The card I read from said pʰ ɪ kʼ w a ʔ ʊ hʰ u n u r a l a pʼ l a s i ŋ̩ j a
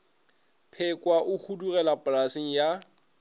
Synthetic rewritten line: pʰ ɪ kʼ w a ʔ ʊ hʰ u d u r ɛ l a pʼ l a s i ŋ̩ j a